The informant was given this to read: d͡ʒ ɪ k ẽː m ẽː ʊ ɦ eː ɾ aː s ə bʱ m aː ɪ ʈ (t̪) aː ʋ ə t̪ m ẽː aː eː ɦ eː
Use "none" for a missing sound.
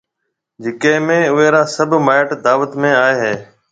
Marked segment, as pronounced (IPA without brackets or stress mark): d̪